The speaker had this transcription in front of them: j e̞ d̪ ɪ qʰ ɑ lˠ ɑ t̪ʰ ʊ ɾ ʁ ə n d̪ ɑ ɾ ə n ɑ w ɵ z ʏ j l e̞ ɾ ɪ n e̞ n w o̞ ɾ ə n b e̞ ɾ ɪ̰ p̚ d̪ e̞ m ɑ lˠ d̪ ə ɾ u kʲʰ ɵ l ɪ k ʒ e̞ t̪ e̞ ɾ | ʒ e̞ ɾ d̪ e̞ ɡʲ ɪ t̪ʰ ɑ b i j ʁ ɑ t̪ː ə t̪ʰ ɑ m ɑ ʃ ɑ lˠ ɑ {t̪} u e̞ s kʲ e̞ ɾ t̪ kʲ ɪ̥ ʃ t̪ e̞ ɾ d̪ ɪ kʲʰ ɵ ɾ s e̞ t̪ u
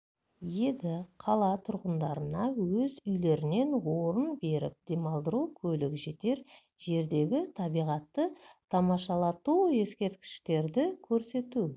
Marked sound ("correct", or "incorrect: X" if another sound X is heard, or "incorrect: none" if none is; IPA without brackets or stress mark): correct